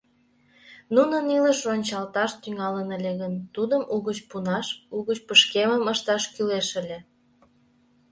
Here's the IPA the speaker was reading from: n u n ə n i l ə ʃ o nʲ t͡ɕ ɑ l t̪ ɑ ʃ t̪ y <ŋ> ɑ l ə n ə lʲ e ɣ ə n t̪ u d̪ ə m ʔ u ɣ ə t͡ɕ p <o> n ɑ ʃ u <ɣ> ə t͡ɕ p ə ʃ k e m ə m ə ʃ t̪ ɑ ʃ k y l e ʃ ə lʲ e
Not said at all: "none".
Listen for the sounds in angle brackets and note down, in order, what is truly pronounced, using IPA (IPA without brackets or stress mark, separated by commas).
ŋ, u, ɣ